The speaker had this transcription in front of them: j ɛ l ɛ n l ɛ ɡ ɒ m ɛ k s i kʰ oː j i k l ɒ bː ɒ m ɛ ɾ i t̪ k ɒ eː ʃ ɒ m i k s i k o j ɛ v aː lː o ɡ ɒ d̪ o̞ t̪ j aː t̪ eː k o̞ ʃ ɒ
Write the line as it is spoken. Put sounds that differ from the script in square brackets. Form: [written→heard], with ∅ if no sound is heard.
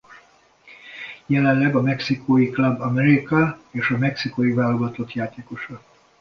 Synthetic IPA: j ɛ l ɛ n l ɛ ɡ ɒ m ɛ k s i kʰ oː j i k l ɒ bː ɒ m ɛ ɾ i [t̪→∅] k ɒ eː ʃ ɒ m [i→ɛ] k s i k o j [ɛ→i] v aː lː o ɡ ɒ [d̪→t̪] o̞ t̪ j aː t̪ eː k o̞ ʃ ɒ